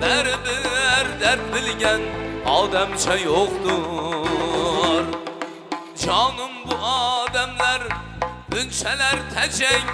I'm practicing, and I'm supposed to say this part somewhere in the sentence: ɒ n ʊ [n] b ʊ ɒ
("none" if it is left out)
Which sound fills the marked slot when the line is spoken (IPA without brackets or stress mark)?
m